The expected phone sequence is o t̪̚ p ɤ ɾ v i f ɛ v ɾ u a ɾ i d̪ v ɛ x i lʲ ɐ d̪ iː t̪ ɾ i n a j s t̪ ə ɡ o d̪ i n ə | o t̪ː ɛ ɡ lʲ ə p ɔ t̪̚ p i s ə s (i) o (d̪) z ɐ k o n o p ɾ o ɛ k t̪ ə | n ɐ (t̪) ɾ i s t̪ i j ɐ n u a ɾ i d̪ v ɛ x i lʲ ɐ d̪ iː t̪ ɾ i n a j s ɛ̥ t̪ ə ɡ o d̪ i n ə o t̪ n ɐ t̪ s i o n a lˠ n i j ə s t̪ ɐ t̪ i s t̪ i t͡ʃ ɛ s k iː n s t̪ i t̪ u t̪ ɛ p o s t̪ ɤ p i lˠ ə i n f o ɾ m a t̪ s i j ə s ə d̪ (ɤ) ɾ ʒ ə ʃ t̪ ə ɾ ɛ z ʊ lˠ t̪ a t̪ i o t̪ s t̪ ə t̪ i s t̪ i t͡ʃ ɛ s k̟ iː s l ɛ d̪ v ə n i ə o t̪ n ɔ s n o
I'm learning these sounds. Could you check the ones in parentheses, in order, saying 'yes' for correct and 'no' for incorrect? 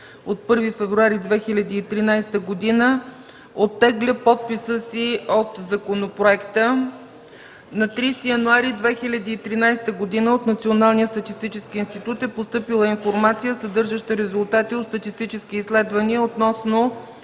yes, no, yes, yes

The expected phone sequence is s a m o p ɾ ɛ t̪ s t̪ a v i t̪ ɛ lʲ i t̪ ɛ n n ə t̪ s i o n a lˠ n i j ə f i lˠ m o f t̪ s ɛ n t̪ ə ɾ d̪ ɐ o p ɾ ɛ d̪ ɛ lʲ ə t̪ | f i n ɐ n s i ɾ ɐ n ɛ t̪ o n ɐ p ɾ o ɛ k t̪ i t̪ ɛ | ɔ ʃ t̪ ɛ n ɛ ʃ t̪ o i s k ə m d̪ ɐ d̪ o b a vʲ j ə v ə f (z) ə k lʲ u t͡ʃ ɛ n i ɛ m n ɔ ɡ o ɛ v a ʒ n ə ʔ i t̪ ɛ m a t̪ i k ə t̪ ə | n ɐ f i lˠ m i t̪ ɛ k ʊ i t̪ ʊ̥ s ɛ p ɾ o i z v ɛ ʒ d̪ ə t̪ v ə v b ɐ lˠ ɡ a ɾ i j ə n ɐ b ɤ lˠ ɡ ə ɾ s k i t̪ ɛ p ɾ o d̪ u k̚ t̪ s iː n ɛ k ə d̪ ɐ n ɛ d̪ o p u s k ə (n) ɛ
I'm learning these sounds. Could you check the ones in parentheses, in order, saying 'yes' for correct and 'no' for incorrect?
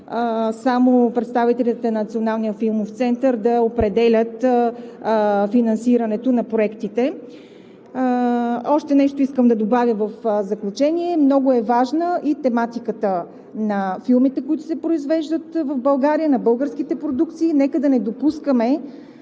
yes, no

